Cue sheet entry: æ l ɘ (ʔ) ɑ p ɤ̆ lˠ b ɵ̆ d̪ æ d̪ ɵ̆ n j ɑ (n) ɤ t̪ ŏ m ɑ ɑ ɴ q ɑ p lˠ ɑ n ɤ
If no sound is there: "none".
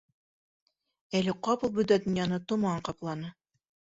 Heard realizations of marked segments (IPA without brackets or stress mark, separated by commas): q, n